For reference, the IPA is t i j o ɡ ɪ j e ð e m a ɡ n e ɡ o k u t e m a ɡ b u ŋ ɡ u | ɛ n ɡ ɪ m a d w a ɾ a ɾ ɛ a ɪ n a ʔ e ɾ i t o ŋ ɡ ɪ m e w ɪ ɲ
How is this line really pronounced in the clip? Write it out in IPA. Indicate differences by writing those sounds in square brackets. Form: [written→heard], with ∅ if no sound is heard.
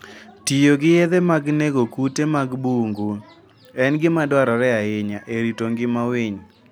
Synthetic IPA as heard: t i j o ɡ ɪ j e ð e m a ɡ n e ɡ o k u t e m a ɡ b u ŋ ɡ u | ɛ n ɡ ɪ m a d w a ɾ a ɾ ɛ a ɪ [n→ɲ] a ʔ e ɾ i t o ŋ ɡ ɪ m [e→a] w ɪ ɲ